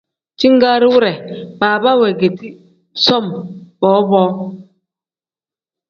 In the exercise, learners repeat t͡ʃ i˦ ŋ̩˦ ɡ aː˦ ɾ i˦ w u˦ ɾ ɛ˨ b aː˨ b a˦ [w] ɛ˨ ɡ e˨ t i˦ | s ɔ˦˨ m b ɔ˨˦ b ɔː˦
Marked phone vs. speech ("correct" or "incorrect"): correct